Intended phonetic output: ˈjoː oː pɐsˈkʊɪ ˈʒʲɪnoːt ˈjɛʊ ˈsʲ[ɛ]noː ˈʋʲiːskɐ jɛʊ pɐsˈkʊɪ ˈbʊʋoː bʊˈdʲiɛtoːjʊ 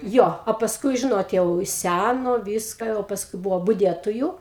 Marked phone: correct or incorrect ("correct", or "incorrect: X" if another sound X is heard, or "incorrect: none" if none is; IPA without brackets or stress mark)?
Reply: incorrect: æ